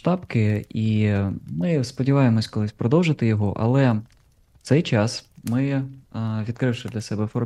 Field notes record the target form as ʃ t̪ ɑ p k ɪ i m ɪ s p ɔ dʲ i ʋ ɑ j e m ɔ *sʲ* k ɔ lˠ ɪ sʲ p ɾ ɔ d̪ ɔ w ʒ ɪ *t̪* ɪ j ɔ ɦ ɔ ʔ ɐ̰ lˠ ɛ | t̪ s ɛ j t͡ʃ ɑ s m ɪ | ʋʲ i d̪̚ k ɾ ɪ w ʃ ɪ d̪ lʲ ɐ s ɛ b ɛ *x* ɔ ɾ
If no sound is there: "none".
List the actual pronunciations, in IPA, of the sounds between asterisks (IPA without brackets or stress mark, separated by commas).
sʲ, t̪, f